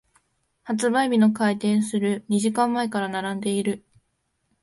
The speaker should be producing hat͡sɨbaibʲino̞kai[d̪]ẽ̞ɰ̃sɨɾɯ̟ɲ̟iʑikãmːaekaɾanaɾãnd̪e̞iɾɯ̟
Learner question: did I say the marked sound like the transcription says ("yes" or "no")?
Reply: no